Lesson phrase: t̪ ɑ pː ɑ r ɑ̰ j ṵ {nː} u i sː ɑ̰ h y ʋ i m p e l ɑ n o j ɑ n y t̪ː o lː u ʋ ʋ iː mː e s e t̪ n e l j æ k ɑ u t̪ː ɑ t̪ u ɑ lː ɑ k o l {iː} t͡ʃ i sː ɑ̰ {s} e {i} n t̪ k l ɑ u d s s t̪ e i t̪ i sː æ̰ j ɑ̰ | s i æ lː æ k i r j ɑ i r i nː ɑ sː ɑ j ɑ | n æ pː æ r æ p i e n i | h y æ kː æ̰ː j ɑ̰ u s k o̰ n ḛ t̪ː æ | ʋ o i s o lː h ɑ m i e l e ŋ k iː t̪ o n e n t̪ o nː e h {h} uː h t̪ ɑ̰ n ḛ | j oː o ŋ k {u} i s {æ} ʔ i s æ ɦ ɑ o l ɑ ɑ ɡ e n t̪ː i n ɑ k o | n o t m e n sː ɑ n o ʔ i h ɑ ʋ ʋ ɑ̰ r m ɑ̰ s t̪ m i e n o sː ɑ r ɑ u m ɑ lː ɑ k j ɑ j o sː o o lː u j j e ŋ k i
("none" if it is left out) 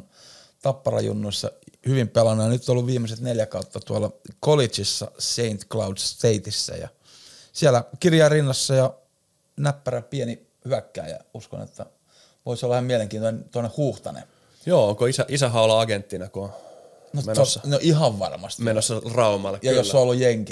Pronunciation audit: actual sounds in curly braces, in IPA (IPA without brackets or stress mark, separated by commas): nː, i, s, i, h, o, æ